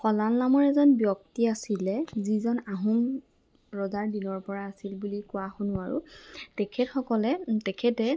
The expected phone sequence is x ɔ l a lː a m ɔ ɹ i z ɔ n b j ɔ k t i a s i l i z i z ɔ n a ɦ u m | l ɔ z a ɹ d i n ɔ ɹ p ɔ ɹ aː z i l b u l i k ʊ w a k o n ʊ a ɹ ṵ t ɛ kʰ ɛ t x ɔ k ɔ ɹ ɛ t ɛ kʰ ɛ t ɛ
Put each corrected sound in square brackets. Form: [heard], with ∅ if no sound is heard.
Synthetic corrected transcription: x ɔ l a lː a m ɔ ɹ [ɛ] z ɔ n b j ɔ k t i a s i l [ɛ] z i z ɔ n a ɦ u m | [ɹ] ɔ z a ɹ d i n ɔ ɹ p ɔ ɹ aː [s] i l b u l i k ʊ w a [x] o n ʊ a ɹ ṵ t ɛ kʰ ɛ t x ɔ k ɔ [l] ɛ t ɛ kʰ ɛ t ɛ